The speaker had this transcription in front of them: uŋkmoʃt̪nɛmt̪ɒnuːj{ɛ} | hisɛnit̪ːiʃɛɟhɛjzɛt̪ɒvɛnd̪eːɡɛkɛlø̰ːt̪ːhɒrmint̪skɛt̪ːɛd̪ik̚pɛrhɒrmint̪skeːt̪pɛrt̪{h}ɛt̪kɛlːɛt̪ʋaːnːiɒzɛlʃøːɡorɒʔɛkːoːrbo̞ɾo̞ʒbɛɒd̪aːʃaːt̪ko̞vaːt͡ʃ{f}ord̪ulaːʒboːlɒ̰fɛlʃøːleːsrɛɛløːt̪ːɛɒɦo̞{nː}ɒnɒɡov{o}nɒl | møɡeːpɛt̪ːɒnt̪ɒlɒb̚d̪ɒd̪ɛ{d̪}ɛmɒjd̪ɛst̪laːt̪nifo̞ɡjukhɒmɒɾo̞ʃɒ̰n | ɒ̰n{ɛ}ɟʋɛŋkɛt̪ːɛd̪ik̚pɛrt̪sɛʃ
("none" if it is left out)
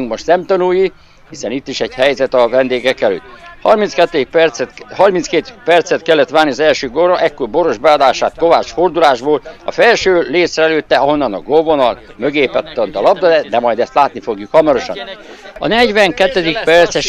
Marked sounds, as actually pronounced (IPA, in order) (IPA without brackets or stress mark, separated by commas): i, s, f, nː, o, d̪, ɛ